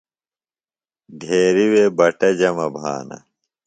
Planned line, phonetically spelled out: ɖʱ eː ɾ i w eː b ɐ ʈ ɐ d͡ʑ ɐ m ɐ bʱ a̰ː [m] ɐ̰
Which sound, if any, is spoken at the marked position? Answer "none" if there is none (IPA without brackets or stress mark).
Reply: n